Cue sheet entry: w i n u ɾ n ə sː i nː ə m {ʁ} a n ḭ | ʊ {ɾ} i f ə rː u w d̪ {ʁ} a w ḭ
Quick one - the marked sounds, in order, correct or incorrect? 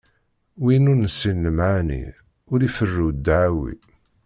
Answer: incorrect: ʕ, correct, incorrect: ʕ

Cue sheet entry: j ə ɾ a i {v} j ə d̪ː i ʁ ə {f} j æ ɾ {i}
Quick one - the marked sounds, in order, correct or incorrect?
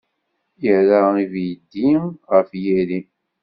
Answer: correct, correct, correct

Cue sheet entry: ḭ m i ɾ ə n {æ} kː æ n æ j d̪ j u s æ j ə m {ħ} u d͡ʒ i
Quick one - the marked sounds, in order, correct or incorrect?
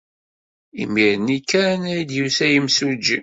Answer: incorrect: i, incorrect: s

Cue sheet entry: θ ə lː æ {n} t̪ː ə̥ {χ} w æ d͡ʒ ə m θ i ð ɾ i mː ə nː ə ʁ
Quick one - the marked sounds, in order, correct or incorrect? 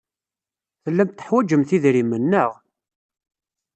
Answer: incorrect: m, incorrect: ħ

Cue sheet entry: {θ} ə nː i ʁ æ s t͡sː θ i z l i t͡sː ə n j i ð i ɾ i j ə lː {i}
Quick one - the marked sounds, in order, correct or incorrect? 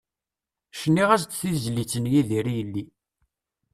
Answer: incorrect: ʃ, correct

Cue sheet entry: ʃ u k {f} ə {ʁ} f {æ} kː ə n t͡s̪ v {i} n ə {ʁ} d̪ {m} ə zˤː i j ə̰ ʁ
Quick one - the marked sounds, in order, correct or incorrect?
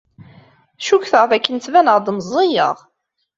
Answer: incorrect: θ, correct, correct, incorrect: æ, correct, correct

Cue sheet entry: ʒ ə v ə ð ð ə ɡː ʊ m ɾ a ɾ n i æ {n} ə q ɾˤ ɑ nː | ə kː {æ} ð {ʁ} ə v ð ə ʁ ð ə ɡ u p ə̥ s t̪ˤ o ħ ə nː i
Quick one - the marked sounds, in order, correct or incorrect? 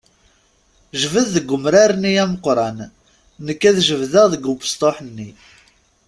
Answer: incorrect: m, correct, incorrect: ʒ

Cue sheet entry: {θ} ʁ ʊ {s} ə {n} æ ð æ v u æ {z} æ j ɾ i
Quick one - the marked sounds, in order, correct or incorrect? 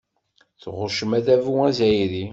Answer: correct, incorrect: ʃ, incorrect: m, correct

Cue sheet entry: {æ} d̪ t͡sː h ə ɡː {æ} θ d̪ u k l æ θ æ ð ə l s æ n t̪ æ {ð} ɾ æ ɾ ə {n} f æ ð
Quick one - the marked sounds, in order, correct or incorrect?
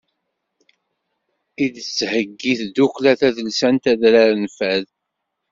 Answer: incorrect: i, incorrect: i, correct, correct

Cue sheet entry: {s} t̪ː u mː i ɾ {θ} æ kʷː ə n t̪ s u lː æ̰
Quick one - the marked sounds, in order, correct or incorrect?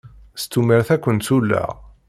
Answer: correct, correct

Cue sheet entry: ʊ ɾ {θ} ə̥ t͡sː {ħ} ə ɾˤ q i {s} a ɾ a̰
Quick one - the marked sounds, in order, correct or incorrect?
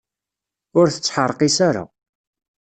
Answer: correct, correct, correct

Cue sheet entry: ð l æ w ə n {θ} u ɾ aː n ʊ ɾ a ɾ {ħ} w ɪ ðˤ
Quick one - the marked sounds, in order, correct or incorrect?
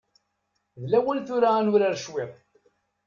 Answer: correct, incorrect: ʃ

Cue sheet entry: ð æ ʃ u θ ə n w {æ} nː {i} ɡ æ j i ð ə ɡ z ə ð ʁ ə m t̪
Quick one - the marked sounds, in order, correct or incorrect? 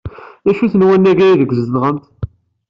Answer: correct, incorrect: æ

